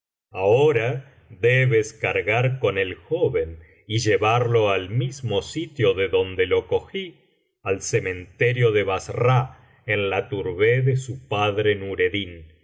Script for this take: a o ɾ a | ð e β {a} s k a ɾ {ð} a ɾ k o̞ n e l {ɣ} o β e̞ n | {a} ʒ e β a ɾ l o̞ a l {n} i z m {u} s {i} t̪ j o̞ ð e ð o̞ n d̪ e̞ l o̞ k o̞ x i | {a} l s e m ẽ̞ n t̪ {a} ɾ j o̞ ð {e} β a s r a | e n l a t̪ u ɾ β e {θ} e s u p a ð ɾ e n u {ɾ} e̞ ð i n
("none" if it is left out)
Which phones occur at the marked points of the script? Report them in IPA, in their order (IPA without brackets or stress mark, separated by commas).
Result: e, ɣ, x, i, m, o, i, a, e, e, ð, ɾ